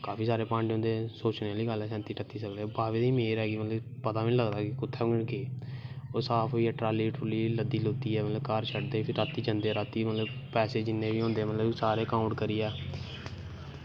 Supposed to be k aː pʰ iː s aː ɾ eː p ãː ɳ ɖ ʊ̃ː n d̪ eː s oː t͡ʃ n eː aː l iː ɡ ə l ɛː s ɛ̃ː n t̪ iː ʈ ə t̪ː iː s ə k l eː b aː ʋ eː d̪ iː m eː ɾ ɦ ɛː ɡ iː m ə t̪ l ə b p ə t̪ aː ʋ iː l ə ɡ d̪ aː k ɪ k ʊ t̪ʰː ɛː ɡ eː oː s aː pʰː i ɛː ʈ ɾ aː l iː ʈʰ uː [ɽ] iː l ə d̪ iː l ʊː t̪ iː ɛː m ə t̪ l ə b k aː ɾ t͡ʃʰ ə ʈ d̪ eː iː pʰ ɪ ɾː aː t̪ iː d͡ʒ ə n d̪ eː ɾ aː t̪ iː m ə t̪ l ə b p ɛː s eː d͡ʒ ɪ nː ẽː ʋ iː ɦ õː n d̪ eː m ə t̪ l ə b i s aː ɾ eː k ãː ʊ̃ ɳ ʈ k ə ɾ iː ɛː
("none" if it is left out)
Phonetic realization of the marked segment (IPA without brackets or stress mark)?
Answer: l